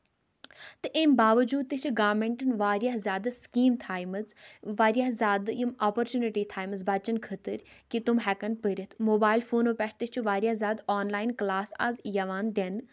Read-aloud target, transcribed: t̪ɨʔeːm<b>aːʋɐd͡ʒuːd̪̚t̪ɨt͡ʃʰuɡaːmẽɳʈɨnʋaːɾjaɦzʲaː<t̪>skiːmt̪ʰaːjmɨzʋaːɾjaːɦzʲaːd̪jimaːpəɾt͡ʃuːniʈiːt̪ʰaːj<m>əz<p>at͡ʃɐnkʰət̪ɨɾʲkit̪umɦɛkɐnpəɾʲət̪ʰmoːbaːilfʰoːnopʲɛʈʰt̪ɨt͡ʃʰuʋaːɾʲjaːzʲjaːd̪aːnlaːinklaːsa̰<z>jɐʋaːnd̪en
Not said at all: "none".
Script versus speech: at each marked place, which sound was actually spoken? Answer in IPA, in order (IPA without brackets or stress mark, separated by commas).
b, d̪, m, b, z